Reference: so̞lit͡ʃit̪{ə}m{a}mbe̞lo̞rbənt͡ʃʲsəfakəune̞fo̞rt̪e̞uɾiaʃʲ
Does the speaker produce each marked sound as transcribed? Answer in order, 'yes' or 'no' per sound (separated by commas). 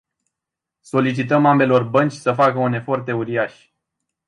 yes, yes